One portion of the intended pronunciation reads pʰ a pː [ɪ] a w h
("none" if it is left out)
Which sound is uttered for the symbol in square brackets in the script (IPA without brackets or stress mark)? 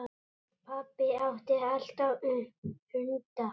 ɪ